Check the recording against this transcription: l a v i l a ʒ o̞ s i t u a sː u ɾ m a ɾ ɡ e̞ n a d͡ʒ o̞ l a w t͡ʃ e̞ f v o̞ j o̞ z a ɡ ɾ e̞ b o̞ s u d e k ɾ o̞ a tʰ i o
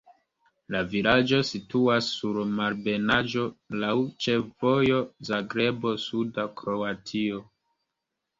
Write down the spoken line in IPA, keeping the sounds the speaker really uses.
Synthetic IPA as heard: l a v i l a d͡ʒ o̞ s i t u a sː u ɾ m a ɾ b e̞ n a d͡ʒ o̞ l a w t͡ʃ e̞ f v o̞ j o̞ z a ɡ ɾ e̞ b o̞ s u d a k ɾ o̞ a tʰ i o